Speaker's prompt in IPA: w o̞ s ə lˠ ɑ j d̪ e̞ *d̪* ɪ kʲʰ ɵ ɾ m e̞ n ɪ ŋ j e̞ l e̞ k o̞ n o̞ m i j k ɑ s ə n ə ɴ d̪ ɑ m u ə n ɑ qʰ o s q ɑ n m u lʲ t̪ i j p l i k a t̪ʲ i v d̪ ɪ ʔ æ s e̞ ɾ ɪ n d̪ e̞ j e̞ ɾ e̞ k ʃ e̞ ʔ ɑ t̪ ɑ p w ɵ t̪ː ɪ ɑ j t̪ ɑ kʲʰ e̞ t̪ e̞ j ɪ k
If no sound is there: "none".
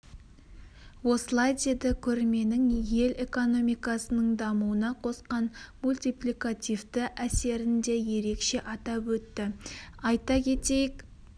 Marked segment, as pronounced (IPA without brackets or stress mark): d̪